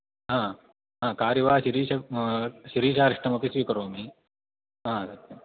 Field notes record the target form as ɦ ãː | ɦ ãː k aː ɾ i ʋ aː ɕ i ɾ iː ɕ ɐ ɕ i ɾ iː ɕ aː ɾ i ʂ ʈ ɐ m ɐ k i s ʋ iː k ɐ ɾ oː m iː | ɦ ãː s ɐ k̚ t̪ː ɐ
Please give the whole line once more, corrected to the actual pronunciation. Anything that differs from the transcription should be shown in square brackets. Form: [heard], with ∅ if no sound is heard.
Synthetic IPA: ɦ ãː | ɦ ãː k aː ɾ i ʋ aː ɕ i ɾ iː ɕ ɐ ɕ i ɾ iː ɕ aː ɾ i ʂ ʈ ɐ m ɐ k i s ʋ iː k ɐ ɾ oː m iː | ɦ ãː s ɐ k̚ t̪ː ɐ